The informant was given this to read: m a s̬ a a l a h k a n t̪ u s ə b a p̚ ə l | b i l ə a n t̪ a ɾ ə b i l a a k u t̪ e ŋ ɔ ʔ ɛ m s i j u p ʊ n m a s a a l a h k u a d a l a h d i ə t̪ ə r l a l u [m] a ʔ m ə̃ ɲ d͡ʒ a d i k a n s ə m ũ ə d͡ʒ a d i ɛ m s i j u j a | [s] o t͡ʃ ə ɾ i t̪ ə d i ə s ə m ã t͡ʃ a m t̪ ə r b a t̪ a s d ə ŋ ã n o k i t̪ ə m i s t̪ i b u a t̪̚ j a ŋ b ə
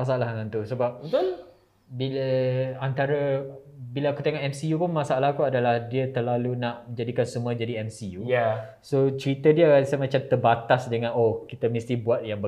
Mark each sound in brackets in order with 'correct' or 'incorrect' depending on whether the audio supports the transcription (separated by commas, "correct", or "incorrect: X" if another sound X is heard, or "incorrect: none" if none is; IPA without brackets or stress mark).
incorrect: n, correct